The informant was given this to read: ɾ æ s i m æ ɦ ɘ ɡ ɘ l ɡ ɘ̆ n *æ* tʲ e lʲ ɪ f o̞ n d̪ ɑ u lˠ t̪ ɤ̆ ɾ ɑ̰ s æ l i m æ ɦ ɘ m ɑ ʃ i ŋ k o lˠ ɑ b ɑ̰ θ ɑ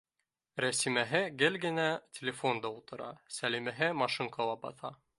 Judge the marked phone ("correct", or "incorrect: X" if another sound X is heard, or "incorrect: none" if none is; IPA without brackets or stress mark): correct